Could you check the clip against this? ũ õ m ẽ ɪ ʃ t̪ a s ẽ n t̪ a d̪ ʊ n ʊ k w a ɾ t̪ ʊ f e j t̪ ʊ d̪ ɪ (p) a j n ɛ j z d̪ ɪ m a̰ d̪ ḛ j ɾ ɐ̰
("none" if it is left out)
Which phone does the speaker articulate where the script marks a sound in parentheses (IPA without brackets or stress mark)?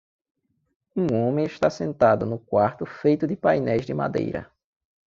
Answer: p